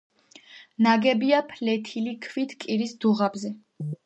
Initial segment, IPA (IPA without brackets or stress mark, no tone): n